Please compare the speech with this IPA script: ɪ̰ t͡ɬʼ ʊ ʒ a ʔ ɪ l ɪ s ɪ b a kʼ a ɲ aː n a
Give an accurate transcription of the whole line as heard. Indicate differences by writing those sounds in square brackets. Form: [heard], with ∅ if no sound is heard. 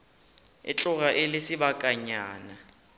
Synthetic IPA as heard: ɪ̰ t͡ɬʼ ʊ [ɣ] a ʔ ɪ l ɪ s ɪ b a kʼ a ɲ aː n a